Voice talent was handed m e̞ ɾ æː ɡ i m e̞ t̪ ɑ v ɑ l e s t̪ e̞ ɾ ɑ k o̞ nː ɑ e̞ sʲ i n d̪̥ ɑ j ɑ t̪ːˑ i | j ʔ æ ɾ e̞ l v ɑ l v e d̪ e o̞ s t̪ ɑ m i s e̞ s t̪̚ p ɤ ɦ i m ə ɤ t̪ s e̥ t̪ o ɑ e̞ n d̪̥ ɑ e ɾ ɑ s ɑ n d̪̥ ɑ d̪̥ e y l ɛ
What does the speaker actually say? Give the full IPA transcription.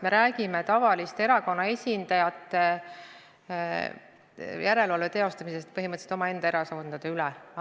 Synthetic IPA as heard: m e̞ ɾ æː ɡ i m e̞ t̪ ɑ v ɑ l i s t̪ e̞ ɾ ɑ k o̞ nː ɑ e̞ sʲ i n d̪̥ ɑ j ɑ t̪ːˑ e | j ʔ æ ɾ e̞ l v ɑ l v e t̪ e o̞ s t̪ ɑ m i s e̞ s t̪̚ p ɤ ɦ i m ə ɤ t̪ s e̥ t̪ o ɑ e̞ n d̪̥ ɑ e ɾ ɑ s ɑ n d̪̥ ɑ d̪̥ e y l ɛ